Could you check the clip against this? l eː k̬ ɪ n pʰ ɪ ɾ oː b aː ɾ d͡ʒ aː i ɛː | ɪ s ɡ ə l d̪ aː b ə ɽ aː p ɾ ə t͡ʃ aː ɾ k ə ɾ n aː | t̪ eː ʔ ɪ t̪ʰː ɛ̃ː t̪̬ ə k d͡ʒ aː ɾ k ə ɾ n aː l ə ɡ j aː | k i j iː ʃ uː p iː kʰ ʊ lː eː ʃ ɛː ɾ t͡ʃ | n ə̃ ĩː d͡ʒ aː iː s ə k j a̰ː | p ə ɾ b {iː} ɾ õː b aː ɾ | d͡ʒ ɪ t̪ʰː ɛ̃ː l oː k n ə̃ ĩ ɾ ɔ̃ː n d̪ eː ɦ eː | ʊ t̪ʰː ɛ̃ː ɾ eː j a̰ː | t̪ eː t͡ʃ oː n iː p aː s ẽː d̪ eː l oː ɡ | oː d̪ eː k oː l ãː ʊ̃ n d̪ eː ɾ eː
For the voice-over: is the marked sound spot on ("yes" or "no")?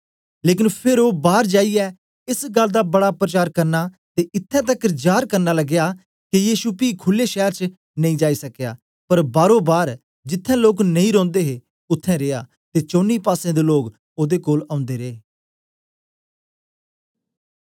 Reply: no